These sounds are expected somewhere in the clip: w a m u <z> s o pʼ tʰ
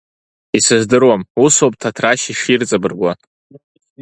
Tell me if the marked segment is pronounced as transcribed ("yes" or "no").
no